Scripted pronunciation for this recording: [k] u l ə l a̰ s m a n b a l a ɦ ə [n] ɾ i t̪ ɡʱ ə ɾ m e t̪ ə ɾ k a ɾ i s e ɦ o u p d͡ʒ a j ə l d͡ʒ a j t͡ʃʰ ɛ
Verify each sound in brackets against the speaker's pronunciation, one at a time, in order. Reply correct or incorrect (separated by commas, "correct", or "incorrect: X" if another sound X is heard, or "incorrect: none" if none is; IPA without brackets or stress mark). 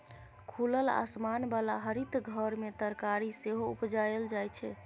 incorrect: kʰ, incorrect: none